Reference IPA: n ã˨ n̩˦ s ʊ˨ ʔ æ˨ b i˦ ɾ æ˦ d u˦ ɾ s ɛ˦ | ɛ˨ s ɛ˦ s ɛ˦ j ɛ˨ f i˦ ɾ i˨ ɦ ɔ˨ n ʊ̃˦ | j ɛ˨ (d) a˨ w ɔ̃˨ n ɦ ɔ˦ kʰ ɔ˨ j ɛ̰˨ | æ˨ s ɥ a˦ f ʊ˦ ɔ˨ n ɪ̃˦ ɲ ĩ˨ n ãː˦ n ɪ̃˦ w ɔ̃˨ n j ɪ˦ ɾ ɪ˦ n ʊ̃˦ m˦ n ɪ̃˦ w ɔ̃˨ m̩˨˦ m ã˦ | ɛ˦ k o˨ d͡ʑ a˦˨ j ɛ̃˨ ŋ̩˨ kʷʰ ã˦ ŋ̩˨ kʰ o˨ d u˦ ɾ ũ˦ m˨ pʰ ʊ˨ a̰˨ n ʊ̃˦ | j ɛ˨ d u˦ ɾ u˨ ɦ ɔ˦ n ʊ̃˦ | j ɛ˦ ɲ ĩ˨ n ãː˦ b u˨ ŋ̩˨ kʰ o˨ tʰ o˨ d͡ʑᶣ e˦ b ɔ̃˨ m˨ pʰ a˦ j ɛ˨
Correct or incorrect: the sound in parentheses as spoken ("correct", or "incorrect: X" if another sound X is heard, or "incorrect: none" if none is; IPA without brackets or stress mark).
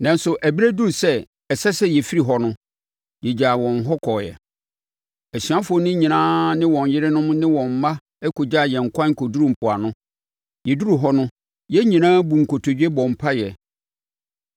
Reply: incorrect: d͡ʑ